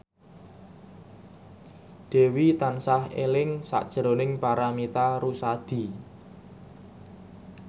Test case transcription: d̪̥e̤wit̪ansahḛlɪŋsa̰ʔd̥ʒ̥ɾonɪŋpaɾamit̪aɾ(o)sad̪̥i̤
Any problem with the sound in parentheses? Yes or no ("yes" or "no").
yes